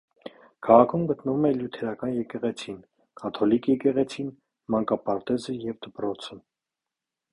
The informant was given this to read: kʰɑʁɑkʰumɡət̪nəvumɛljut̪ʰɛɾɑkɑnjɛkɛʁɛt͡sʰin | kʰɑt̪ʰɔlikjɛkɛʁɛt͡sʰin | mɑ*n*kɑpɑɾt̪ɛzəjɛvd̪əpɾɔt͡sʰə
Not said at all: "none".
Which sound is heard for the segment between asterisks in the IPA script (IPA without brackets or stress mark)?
ŋ